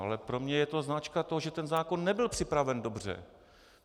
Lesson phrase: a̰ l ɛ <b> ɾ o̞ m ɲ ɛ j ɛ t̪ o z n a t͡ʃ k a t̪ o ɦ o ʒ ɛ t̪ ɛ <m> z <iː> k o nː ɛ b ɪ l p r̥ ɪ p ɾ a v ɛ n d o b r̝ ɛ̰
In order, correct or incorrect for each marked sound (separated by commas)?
incorrect, incorrect, incorrect